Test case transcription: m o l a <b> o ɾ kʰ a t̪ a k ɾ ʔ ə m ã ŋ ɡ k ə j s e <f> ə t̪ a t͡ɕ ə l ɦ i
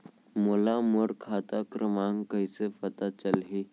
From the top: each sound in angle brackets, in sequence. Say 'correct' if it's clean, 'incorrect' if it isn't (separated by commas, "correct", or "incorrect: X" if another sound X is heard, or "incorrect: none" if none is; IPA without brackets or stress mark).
incorrect: m, correct